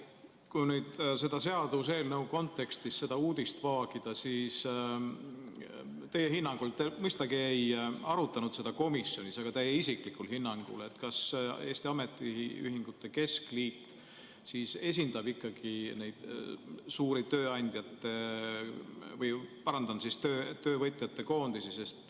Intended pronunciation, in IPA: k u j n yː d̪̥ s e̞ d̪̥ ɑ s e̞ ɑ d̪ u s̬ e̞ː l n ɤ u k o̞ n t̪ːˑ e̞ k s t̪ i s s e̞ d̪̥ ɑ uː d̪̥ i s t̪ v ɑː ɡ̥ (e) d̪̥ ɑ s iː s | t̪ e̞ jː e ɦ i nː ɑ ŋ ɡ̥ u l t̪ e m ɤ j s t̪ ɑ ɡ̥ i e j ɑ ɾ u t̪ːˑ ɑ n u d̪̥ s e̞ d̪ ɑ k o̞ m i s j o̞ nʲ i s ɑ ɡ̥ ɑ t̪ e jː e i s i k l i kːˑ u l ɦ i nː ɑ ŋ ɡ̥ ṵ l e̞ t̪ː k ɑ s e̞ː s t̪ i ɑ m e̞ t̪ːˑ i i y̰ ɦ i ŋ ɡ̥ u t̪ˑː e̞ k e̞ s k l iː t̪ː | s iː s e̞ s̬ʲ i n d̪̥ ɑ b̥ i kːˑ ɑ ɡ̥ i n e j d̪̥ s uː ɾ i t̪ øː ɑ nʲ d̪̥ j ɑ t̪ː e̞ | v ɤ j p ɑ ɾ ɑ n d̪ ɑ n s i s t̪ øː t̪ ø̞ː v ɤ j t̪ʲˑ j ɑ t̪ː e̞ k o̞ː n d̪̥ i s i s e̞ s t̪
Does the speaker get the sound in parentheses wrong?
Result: yes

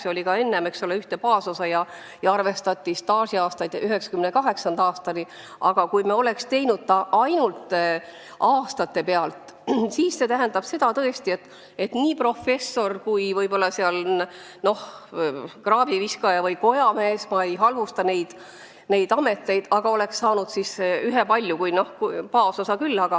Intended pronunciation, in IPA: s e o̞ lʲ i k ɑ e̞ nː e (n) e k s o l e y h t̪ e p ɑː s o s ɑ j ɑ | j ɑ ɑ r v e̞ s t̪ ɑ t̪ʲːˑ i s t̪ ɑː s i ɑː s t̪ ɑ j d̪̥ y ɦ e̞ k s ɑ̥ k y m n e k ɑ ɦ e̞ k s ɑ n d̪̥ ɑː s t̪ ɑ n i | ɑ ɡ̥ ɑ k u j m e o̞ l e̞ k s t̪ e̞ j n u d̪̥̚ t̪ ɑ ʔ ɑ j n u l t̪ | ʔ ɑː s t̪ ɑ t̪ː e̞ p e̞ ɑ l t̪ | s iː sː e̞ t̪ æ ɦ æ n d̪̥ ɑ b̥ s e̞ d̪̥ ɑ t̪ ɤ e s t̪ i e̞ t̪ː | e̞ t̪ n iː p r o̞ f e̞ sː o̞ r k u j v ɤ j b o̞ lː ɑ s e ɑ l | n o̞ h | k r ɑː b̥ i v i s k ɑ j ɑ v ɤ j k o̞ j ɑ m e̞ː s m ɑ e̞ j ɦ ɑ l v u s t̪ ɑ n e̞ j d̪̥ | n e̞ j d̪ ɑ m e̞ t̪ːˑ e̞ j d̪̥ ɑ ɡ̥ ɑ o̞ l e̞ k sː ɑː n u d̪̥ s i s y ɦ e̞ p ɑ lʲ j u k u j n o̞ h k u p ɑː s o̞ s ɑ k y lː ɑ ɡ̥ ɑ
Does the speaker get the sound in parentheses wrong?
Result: yes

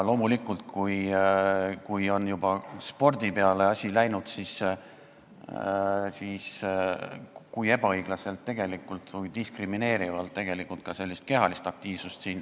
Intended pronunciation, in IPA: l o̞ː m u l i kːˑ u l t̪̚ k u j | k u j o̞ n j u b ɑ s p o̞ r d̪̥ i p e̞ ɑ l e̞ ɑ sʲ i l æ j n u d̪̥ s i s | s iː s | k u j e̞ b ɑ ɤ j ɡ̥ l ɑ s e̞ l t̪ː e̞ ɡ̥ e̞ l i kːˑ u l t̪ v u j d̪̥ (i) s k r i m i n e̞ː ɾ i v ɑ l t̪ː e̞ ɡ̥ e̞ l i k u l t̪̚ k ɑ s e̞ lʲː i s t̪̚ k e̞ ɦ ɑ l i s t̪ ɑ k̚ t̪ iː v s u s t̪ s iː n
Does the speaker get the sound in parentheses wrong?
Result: no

